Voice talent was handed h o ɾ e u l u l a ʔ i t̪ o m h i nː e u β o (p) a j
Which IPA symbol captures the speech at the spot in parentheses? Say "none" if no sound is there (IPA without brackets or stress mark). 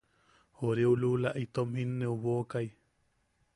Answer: k